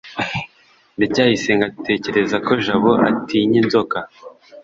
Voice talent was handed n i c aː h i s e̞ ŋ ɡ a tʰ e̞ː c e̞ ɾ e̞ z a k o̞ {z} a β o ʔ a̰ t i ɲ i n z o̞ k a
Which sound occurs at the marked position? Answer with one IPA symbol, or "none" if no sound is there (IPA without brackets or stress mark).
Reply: ʒ